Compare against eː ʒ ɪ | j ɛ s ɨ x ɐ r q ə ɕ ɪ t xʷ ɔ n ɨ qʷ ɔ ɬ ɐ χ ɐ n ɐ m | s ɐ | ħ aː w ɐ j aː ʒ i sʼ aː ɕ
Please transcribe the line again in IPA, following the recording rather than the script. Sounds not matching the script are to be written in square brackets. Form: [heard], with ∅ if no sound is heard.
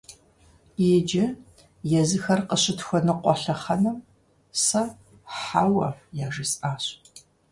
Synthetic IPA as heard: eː [d͡ʒ] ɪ | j ɛ [z] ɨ x ɐ r q ə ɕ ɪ t xʷ ɔ n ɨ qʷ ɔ ɬ ɐ χ ɐ n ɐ m | s ɐ | ħ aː w ɐ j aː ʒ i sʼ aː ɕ